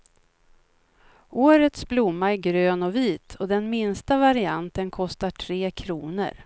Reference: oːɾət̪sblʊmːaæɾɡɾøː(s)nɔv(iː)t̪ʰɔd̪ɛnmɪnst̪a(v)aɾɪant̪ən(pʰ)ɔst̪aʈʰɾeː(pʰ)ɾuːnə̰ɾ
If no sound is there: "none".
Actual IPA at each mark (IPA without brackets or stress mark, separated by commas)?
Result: none, iː, v, kʰ, kʰ